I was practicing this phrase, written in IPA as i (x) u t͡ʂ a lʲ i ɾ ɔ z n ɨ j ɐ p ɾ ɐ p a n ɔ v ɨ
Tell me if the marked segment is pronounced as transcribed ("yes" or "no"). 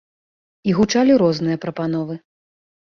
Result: no